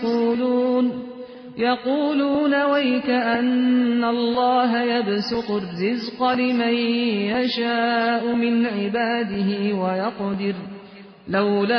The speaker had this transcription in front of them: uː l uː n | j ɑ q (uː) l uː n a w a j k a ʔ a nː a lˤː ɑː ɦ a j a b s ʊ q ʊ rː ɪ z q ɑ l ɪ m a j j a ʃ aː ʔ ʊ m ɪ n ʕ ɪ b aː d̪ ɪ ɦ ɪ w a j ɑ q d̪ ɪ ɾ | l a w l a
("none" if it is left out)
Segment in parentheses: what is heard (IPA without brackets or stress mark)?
uː